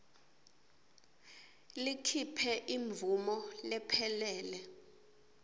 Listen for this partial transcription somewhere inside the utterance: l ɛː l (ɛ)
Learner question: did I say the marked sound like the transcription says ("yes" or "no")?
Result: yes